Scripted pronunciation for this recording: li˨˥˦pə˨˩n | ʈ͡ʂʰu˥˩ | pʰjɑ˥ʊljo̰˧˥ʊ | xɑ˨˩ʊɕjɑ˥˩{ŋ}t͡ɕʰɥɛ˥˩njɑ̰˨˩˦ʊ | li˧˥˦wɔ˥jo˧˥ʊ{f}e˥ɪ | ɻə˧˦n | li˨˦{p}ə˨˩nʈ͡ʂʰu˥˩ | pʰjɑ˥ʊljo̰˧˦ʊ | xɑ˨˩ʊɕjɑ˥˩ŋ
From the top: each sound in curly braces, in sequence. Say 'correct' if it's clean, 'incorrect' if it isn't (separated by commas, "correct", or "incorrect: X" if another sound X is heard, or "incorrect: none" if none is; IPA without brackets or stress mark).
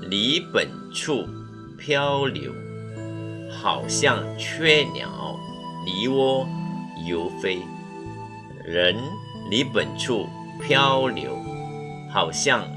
correct, correct, correct